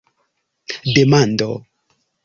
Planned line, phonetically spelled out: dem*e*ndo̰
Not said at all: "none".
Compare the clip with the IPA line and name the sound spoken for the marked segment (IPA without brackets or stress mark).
a